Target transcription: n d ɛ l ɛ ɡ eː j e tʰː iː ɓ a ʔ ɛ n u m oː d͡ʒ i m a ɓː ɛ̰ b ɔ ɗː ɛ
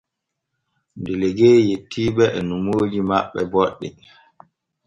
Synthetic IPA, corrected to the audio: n d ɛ l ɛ ɡ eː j e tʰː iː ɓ ɛ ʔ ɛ n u m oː d͡ʒ i m a ɓː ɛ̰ b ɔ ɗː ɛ